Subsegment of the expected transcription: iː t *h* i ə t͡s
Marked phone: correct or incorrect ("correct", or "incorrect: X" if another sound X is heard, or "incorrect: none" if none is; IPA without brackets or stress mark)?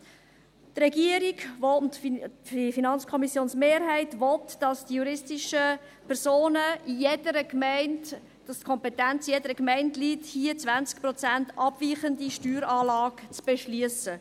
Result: correct